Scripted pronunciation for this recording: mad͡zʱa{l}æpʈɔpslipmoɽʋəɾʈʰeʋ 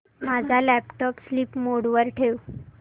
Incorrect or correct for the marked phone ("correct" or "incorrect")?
correct